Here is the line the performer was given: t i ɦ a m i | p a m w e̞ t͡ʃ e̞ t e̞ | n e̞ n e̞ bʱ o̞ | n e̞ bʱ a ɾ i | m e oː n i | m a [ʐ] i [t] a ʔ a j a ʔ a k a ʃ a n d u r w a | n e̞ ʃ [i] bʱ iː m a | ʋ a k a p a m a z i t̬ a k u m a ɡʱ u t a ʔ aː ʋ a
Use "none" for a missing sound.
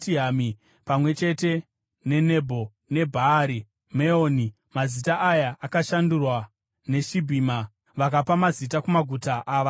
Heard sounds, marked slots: z, t, i

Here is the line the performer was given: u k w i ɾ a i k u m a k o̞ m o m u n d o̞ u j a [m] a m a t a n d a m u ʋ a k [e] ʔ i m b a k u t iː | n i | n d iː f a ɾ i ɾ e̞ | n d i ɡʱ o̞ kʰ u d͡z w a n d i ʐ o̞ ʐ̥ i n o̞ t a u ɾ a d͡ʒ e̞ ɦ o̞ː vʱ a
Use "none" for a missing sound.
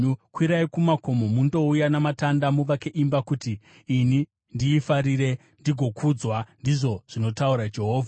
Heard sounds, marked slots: n, e

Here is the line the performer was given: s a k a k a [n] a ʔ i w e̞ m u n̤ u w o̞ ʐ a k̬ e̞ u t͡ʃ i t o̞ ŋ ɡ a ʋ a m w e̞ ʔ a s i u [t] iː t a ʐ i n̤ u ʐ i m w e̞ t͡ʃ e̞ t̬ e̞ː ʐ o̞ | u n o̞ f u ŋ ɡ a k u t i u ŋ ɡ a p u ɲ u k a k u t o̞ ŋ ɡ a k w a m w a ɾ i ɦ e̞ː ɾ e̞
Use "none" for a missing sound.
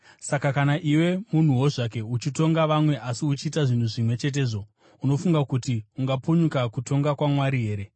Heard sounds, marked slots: n, t͡ʃ

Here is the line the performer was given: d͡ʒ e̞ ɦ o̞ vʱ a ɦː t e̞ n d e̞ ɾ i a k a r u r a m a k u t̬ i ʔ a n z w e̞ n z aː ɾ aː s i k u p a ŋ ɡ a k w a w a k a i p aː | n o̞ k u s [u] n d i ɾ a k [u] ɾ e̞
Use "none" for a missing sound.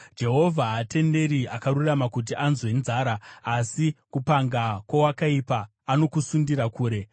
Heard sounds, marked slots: u, uː

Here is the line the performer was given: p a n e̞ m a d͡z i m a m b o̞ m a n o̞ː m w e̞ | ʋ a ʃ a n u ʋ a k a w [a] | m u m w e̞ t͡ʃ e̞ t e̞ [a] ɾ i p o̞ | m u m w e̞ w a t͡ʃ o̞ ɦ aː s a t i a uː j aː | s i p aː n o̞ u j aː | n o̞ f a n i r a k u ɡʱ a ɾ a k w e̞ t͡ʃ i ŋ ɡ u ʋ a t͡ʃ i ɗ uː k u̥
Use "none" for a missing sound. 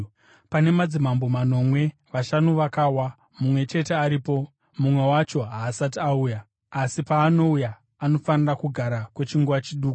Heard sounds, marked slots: a, a

